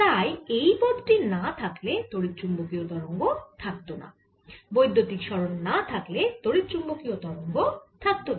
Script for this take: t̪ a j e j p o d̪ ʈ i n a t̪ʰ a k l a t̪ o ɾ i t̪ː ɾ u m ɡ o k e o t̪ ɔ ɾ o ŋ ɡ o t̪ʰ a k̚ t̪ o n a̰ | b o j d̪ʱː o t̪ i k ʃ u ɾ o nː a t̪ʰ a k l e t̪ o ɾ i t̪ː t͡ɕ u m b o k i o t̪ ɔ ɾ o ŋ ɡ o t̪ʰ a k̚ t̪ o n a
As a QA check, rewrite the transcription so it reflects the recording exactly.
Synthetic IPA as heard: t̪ a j e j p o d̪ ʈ i n a t̪ʰ a k l e t̪ o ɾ i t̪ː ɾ u m b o k i o t̪ ɔ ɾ o ŋ ɡ o t̪ʰ a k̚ t̪ o n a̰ | b o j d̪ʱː o t̪ i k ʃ ɔ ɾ o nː a t̪ʰ a k l e t̪ o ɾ i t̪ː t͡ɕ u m b o k i o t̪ ɔ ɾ o ŋ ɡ o t̪ʰ a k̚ t̪ o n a